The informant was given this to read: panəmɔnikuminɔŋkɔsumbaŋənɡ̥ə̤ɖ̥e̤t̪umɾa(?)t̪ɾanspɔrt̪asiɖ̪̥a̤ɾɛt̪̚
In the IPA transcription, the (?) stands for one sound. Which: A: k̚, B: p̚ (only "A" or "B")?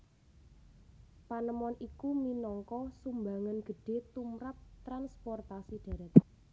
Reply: B